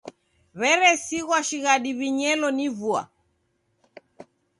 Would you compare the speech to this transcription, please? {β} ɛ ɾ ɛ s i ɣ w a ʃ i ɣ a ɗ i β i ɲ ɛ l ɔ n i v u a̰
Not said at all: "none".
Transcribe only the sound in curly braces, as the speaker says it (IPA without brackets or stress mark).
β